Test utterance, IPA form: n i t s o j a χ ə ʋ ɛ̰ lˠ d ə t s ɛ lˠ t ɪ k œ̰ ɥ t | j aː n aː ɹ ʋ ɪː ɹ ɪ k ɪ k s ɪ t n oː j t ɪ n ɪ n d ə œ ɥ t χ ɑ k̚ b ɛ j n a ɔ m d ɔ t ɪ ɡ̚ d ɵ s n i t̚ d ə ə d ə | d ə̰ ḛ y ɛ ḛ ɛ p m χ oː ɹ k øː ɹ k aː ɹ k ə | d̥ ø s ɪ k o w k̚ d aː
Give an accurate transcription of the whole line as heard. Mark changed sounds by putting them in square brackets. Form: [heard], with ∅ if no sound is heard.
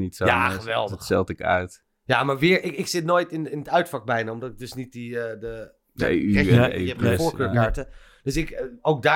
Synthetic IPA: n i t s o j a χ ə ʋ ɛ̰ lˠ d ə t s ɛ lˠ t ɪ k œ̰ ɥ t | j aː [m] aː ɹ ʋ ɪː ɹ ɪ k ɪ k s ɪ t n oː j t ɪ n ɪ n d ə œ ɥ t [f] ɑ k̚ b ɛ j n a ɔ m d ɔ t ɪ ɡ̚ d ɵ s n i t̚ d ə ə d ə | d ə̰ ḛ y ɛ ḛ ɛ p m [f] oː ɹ k øː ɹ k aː ɹ [t] ə | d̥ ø s ɪ k o w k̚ d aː